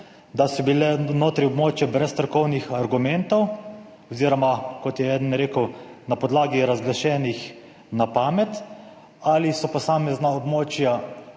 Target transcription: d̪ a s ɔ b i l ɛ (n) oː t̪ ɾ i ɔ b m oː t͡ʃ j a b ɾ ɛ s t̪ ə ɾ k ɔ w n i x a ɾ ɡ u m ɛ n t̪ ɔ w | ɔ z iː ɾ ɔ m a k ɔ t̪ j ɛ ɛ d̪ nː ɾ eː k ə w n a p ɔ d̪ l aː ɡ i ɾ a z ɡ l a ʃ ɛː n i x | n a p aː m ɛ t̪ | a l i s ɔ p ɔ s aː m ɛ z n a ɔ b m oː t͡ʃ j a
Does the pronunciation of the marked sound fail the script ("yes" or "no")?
no